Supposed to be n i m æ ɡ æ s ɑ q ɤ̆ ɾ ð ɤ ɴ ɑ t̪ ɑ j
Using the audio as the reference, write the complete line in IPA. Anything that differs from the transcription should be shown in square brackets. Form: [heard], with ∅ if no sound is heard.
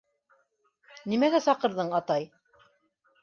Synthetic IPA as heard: n i m æ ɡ æ s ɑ q ɤ̆ ɾ ð ɤ ɴ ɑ t̪ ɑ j

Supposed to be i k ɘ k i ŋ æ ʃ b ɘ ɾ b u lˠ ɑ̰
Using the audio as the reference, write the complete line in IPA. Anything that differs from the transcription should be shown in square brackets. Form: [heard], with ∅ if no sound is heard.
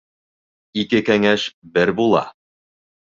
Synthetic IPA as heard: i k ɘ k [æ] ŋ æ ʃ b ɘ ɾ b u lˠ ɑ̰

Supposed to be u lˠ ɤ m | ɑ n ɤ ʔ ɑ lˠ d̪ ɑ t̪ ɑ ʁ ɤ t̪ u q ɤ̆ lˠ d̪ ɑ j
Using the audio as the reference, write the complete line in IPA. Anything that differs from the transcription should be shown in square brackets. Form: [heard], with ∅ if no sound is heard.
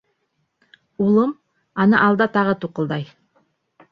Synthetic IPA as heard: u lˠ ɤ m | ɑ n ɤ ʔ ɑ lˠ d̪ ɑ t̪ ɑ ʁ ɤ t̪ u q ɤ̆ lˠ d̪ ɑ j

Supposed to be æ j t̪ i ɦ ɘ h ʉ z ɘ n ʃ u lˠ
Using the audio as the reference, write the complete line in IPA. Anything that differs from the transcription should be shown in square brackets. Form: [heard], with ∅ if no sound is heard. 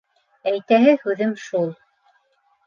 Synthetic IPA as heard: æ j t̪ [æ] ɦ ɘ h ʉ [ð] ɘ [m] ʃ u lˠ

